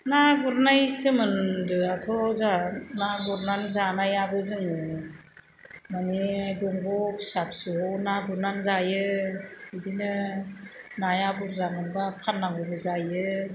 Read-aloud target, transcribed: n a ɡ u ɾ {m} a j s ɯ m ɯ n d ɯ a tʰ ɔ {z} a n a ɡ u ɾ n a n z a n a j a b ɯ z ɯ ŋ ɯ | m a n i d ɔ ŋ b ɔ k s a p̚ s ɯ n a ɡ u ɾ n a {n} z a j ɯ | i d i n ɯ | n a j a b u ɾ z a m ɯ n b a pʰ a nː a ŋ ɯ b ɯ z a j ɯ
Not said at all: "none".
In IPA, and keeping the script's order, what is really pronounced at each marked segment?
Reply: n, z, n

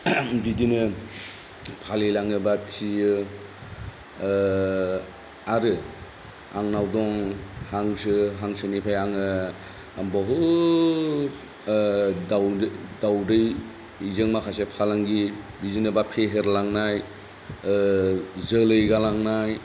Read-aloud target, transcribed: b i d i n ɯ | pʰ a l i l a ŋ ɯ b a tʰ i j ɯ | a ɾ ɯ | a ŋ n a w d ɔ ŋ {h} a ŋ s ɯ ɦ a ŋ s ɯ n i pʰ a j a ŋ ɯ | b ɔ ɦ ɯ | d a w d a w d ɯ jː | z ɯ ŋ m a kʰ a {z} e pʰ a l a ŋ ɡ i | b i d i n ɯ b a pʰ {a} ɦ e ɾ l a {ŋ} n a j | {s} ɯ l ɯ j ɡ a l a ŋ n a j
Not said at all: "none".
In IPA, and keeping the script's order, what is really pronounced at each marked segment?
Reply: h, s, e, ŋ, z

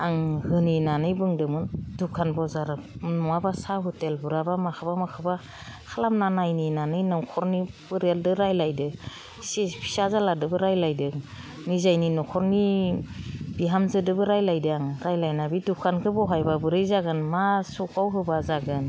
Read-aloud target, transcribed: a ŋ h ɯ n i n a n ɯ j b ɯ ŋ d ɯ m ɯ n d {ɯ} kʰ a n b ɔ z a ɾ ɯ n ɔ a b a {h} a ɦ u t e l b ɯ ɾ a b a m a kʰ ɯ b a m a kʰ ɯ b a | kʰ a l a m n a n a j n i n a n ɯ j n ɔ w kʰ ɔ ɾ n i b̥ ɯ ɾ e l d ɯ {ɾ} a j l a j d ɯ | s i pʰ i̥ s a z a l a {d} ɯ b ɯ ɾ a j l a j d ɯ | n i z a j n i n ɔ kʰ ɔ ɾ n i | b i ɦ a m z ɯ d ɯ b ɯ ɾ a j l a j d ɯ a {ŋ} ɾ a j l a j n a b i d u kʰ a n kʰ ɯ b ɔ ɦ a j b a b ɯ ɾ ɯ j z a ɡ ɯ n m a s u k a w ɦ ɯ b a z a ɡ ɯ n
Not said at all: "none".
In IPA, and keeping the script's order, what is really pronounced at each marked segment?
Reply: u, s, ɾ, d, ŋ

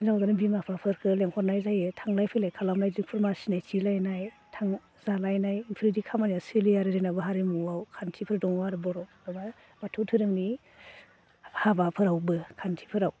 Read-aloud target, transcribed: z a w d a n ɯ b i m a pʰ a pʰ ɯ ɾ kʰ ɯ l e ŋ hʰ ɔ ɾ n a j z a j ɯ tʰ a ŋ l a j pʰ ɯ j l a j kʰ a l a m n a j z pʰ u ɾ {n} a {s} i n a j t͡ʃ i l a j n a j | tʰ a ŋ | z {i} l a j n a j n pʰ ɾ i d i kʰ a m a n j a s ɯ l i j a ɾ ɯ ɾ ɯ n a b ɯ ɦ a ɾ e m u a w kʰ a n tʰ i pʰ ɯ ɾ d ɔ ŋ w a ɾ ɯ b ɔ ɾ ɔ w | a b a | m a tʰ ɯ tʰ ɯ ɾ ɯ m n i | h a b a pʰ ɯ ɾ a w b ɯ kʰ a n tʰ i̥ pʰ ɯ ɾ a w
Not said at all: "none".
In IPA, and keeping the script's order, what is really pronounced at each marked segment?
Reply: m, s, a

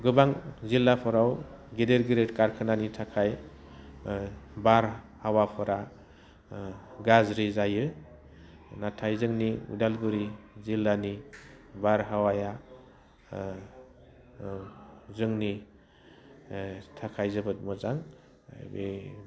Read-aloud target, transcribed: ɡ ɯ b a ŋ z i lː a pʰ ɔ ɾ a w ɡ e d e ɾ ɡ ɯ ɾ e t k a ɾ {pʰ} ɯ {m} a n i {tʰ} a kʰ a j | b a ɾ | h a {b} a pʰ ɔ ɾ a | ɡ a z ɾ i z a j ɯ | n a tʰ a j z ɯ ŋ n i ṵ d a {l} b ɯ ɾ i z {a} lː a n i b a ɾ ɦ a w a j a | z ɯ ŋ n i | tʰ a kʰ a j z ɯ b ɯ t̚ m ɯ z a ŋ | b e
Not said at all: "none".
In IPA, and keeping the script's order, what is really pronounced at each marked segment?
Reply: kʰ, n, tʰ, w, l, i

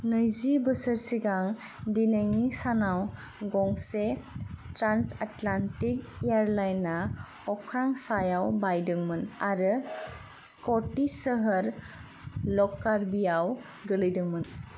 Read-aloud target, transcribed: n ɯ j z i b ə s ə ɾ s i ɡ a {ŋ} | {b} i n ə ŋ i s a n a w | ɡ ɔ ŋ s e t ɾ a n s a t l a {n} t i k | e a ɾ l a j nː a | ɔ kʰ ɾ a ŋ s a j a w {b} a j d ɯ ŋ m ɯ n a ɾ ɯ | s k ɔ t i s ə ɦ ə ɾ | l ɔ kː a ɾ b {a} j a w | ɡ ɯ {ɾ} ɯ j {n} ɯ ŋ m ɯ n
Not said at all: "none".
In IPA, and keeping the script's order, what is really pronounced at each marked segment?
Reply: ŋ, d, n, b, i, l, d

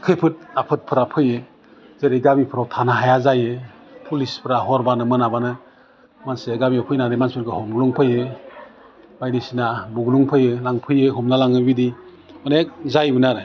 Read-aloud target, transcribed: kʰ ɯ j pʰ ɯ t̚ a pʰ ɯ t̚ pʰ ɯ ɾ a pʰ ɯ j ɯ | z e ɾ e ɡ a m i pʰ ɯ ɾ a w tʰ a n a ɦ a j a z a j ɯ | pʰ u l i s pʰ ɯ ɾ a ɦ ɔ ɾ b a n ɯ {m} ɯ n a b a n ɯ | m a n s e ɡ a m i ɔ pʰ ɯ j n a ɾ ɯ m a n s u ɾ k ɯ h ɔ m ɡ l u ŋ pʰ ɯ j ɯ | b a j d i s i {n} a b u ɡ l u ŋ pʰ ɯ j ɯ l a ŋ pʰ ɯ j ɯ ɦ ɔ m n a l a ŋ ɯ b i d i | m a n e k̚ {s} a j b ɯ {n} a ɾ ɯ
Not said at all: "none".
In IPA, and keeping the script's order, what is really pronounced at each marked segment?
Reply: m, n, z, n

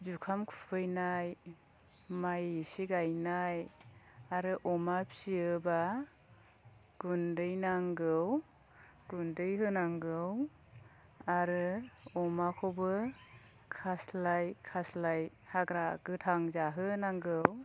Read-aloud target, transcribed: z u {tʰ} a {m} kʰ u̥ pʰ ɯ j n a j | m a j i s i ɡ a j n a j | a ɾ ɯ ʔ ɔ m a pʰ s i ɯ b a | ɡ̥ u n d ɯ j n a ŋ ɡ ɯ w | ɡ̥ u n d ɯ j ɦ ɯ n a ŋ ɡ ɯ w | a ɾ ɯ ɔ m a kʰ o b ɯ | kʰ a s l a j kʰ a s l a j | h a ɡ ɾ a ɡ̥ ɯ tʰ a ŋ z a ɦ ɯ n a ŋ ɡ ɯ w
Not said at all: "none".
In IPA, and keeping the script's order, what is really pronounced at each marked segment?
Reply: kʰ, m

